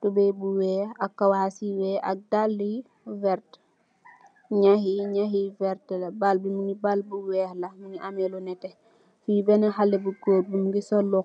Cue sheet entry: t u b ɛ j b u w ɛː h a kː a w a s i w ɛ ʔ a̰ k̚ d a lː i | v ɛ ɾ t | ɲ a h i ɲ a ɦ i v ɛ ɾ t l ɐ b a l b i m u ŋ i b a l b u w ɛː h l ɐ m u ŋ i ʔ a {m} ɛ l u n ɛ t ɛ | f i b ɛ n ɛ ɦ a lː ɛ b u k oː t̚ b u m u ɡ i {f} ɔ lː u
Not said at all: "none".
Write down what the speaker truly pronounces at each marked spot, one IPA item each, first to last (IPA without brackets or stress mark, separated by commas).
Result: m, s